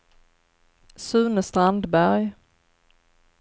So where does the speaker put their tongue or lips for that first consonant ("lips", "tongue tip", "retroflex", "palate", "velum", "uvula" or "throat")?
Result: tongue tip